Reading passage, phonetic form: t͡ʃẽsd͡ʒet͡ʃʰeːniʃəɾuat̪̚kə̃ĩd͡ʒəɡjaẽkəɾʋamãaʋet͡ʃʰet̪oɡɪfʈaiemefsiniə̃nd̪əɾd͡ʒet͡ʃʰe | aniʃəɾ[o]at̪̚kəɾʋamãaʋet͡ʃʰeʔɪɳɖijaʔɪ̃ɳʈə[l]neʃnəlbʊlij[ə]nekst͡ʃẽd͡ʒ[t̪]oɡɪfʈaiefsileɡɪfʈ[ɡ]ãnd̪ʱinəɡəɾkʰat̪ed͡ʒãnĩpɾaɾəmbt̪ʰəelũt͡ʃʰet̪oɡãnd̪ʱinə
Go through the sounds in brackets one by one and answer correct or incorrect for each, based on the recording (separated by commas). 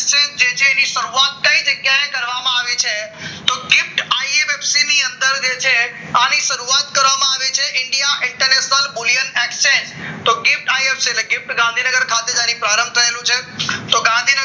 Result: incorrect, incorrect, correct, correct, correct